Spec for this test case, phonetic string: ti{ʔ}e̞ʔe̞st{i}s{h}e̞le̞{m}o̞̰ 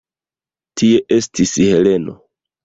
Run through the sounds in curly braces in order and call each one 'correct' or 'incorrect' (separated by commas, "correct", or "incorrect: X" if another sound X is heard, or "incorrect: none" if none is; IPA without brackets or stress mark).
incorrect: none, correct, correct, incorrect: n